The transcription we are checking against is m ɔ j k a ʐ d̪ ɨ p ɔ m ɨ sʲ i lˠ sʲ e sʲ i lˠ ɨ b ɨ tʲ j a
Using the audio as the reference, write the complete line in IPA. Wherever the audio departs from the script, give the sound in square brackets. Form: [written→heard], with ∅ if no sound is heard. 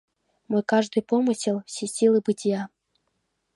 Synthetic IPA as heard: m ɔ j k a ʐ d̪ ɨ p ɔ m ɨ sʲ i lˠ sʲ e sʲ i lˠ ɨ b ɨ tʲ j a

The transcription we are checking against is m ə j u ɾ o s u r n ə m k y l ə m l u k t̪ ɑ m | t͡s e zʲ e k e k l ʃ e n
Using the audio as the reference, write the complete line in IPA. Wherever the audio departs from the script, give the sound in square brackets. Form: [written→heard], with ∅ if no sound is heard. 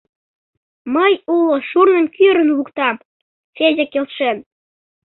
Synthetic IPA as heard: m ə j u [ɾ→l] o [s→ʃ] u r n ə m k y [l→ɾ] ə [m→n] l u k t̪ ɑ m | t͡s e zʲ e k e [k→∅] l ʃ e n

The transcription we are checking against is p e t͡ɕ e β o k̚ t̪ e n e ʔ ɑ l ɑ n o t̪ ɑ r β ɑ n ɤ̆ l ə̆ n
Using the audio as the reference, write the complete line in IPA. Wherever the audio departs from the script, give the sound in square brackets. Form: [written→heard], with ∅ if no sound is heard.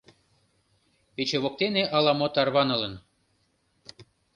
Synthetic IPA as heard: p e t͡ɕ e β o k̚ t̪ e n e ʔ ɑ l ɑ [n→m] o t̪ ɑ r β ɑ n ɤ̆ l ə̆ n

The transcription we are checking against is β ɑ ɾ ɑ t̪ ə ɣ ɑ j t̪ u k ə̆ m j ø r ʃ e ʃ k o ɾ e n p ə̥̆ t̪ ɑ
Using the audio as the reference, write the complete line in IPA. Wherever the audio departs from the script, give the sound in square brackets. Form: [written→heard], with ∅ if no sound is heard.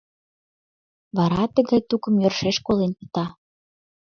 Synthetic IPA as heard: β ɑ ɾ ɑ t̪ ə ɣ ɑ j t̪ u k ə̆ m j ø r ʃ e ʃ k o [ɾ→l] e n p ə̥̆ t̪ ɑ

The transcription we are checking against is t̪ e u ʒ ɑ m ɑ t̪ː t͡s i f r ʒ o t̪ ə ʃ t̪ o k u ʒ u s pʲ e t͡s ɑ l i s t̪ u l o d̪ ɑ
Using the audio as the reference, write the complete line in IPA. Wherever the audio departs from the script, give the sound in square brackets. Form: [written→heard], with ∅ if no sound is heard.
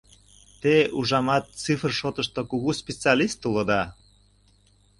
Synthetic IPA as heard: t̪ e u ʒ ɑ m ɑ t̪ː t͡s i f r [ʒ→ʃ] o t̪ ə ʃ t̪ o k u [ʒ→ɣ] u s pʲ e t͡s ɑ l i s t̪ u l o d̪ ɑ

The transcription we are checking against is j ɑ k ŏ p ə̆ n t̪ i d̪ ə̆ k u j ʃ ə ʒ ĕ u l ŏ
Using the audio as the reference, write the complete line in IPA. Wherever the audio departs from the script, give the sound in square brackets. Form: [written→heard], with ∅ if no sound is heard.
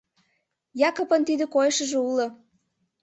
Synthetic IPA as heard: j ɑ k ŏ p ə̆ n t̪ i d̪ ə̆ k [u→o] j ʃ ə ʒ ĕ u l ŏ

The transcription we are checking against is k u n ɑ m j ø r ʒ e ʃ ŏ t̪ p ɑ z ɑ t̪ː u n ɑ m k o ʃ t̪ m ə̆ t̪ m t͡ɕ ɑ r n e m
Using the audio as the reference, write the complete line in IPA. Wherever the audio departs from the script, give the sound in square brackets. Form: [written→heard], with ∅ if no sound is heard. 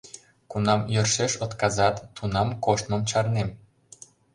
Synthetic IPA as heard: k u n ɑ m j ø r [ʒ→ʃ] e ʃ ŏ t̪ [p→k] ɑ z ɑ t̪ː u n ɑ m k o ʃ t̪ m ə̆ [t̪→∅] m t͡ɕ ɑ r n e m

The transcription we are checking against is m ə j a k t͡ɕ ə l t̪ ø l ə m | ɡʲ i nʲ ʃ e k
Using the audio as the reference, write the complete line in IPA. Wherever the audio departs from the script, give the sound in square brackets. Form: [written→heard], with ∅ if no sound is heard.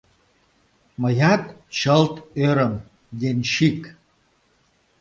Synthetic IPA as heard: m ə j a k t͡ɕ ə l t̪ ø [l→ɾ] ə m | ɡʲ [i→e] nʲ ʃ [e→i] k

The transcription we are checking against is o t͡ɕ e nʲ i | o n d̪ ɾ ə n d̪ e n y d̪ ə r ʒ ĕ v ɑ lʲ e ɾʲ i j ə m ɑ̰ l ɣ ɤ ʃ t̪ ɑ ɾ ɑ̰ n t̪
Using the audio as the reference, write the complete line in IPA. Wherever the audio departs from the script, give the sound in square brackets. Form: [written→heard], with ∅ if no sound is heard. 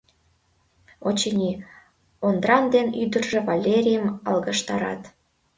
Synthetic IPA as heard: o t͡ɕ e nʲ i | o n d̪ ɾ [ə→ɑ] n d̪ e n y d̪ ə r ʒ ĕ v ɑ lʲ e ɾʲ i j ə m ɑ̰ l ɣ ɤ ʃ t̪ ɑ ɾ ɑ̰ [n→∅] t̪

